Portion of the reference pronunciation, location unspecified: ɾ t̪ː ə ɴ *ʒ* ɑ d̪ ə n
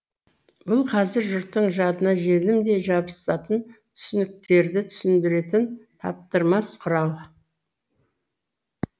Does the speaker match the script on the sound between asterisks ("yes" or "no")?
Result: yes